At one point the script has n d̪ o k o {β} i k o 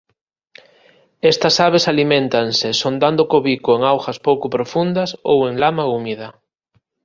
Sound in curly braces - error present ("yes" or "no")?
no